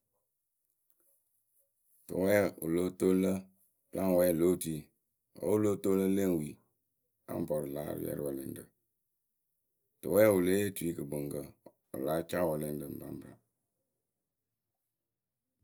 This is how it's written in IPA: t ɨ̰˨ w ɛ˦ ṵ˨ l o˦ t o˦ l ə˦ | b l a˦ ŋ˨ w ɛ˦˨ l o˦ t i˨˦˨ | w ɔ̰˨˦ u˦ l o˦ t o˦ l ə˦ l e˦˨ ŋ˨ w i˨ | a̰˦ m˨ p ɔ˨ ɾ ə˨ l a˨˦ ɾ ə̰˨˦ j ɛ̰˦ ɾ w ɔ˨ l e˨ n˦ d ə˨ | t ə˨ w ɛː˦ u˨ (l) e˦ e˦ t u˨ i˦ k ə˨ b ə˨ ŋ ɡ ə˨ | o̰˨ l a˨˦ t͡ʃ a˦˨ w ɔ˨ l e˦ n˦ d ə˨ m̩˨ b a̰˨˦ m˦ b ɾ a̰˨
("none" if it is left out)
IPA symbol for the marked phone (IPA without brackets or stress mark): l